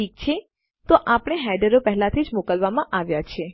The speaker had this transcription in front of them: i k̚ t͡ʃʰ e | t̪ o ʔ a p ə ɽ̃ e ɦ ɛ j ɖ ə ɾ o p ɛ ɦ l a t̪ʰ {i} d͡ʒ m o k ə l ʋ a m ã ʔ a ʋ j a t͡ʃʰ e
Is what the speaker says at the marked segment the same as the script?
yes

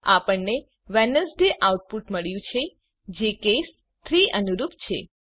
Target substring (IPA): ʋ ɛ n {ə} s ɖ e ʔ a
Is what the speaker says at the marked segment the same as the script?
yes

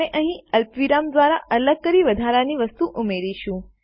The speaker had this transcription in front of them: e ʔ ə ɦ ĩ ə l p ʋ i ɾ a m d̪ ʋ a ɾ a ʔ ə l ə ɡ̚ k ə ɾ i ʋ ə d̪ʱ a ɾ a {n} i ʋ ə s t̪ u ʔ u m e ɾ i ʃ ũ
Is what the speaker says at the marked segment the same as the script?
yes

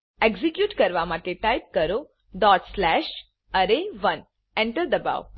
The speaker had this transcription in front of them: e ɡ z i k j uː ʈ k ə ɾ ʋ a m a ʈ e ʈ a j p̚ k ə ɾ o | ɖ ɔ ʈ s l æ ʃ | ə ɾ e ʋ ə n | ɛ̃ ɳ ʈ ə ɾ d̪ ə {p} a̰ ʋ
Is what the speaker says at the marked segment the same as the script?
no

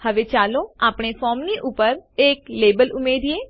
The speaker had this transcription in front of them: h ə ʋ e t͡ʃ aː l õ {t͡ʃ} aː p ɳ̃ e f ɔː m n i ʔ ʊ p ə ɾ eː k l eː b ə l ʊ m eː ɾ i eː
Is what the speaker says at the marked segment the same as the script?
no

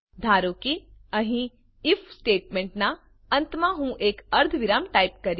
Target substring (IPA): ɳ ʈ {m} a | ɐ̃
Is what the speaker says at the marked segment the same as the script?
no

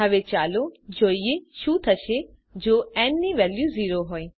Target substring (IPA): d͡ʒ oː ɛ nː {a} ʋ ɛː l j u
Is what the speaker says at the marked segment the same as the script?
no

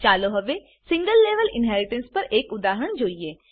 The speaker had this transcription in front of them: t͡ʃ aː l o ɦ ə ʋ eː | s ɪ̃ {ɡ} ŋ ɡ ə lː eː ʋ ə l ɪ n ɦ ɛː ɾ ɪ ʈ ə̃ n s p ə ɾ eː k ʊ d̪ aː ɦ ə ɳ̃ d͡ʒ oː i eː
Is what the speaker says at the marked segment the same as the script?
no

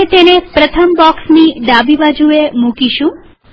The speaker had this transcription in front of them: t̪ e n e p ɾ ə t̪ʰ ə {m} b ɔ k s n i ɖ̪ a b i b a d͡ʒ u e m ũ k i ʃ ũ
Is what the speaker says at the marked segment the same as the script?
yes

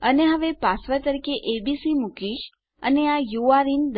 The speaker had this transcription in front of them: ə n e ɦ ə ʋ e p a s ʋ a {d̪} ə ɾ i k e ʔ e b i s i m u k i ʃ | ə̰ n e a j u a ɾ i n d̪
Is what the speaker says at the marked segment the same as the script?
no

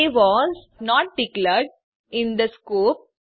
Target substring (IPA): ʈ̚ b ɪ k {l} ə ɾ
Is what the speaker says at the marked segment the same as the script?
yes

